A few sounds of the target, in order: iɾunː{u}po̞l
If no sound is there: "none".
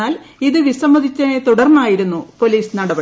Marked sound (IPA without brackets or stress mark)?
u